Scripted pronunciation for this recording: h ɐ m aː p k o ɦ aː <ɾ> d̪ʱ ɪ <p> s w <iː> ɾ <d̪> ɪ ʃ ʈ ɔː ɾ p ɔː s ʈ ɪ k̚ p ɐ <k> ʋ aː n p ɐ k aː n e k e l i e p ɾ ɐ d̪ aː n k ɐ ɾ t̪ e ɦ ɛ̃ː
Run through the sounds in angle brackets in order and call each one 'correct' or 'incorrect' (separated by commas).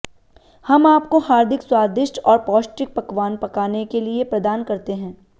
correct, incorrect, incorrect, correct, correct